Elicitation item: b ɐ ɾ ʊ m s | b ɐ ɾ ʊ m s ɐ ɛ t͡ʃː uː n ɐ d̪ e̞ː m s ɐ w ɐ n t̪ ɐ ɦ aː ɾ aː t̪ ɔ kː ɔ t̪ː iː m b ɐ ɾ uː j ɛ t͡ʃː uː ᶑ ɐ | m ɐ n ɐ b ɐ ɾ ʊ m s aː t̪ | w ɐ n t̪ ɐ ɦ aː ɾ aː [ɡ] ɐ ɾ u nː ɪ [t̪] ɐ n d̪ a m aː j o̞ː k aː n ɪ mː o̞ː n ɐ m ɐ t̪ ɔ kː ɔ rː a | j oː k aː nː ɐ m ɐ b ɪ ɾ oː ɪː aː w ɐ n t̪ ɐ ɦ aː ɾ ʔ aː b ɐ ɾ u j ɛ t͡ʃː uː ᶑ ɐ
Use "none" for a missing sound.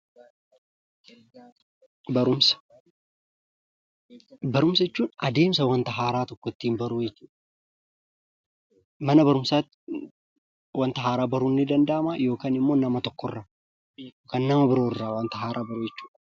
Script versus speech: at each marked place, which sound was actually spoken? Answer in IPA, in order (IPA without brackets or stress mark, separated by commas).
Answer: b, d̪